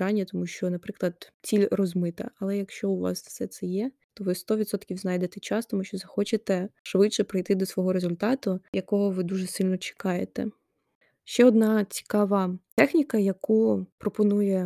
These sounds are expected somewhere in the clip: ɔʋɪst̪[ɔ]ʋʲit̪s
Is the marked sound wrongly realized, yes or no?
no